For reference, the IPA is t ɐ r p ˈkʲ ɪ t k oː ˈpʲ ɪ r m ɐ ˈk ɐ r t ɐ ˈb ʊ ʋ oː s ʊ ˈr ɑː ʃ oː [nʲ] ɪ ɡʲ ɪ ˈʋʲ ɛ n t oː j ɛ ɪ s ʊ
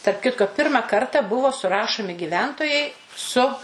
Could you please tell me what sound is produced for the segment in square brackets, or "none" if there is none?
mʲ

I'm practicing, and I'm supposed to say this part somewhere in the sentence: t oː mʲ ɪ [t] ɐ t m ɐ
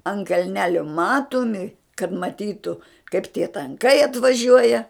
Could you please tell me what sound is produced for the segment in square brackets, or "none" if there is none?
k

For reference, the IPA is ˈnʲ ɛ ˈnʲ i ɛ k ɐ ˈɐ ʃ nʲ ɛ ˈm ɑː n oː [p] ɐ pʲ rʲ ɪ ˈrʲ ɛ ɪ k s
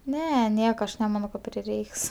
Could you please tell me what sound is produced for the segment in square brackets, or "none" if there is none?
k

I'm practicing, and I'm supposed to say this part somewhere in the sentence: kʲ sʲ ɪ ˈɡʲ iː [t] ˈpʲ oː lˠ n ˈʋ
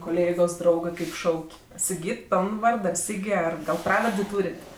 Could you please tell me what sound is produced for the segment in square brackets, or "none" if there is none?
t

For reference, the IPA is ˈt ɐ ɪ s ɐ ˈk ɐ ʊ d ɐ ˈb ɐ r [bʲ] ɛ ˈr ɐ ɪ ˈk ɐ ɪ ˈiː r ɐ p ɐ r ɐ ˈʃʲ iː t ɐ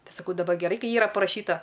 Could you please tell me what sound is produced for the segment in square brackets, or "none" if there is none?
ɡʲ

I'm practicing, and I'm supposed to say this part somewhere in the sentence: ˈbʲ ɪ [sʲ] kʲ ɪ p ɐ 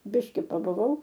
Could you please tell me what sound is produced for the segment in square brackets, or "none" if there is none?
ʃʲ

